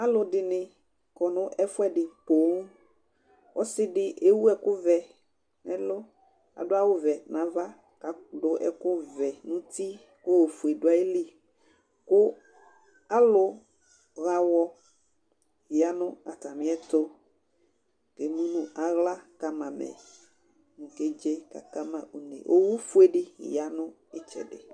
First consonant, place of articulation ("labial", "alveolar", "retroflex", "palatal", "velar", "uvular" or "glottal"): alveolar